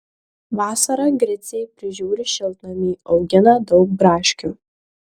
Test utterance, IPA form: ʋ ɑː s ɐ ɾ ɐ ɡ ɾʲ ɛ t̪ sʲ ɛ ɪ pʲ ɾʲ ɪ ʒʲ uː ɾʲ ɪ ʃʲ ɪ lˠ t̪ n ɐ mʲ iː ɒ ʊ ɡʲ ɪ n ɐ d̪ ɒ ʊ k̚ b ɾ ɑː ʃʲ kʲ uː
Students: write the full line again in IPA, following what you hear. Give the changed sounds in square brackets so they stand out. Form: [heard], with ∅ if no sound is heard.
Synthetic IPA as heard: ʋ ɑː s ɐ ɾ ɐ ɡ ɾʲ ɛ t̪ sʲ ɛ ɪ pʲ ɾʲ ɪ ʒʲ uː ɾʲ ɪ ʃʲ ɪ lˠ t̪ n ɐ mʲ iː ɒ ʊ ɡʲ ɪ n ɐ d̪ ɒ ʊ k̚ b ɾ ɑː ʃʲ kʲ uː

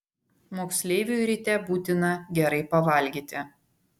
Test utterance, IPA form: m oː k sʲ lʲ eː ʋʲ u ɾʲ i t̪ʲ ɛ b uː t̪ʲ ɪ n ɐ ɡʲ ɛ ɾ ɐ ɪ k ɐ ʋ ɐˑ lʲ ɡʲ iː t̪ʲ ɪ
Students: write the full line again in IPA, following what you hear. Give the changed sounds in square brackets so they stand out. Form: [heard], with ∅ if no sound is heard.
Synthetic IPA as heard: m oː k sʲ lʲ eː ʋʲ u ɾʲ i t̪ʲ ɛ b uː t̪ʲ ɪ n ɐ ɡʲ ɛ ɾ ɐ ɪ [p] ɐ ʋ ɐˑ lʲ ɡʲ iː t̪ʲ ɪ

